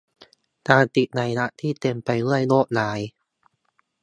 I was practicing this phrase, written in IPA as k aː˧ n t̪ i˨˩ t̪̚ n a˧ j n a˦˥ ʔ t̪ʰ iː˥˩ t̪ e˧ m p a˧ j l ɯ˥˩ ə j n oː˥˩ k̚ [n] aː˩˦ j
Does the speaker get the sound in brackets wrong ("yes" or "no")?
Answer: no